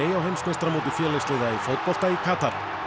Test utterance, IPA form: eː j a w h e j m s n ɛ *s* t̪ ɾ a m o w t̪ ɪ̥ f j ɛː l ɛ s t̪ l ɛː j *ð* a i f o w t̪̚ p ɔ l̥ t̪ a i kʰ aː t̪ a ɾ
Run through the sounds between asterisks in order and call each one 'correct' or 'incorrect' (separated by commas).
correct, correct